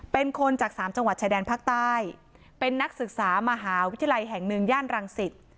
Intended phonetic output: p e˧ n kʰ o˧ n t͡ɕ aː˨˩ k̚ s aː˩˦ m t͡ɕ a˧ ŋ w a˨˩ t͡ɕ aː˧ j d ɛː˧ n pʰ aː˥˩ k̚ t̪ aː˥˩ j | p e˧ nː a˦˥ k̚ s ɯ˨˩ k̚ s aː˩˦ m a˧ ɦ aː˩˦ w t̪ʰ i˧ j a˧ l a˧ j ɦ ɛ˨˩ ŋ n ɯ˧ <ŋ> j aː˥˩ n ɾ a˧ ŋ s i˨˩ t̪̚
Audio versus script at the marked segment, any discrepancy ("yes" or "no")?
no